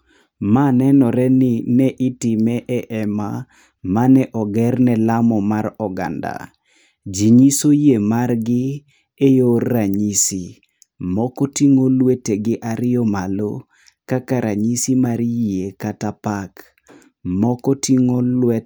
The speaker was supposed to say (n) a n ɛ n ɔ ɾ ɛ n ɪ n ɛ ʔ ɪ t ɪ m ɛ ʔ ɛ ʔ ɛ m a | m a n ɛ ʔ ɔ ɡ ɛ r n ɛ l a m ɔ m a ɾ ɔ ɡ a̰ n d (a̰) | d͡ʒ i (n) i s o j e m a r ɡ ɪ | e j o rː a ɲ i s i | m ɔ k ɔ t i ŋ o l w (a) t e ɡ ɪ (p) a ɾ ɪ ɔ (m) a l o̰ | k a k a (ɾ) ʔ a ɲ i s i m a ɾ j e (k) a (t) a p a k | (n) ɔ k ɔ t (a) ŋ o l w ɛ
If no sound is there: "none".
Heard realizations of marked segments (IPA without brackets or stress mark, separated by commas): m, a̰, ɲ, e, ʔ, m, ɾ, k, t, m, i